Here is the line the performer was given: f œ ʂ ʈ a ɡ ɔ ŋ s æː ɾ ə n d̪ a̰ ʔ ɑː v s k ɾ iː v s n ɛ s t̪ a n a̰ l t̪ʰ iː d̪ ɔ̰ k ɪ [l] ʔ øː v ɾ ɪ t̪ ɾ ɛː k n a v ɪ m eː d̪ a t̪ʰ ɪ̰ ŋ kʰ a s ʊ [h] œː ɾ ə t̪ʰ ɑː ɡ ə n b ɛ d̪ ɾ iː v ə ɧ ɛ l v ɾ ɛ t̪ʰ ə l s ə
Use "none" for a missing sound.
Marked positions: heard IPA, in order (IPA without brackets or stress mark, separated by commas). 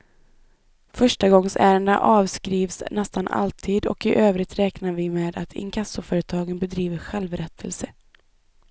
none, f